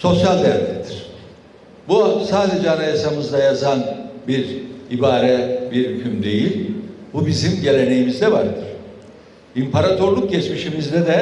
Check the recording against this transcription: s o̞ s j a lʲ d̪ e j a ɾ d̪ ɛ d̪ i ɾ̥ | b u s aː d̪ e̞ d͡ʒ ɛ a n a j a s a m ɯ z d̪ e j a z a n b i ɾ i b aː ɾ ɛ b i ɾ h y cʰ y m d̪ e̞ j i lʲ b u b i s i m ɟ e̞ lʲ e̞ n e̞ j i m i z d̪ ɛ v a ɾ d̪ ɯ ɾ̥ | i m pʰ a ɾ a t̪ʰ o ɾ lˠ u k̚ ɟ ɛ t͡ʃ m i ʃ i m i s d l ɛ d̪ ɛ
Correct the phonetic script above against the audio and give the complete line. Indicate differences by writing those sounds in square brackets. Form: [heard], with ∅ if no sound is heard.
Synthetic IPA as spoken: s o̞ s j a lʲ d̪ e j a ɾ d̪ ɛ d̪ i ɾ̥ | b u s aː d̪ e̞ d͡ʒ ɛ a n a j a s a m ɯ z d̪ [a] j a z a n b i ɾ i b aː ɾ ɛ b i ɾ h y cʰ y m d̪ e̞ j i lʲ b u b i [z] i m ɟ e̞ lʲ e̞ n e̞ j i m i z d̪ ɛ v a ɾ d̪ ɯ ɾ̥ | i m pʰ a ɾ a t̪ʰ o ɾ lˠ u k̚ ɟ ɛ t͡ʃ m i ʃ i m i [z] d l ɛ d̪ ɛ